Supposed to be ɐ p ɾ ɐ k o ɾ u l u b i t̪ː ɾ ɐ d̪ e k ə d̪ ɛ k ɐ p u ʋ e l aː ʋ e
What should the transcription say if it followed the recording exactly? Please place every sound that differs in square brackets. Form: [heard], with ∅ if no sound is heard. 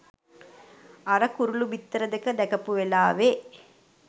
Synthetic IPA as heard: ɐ [∅] ɾ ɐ k [u] ɾ u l u b i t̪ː ɾ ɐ d̪ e k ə d̪ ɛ k ɐ p u ʋ e l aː ʋ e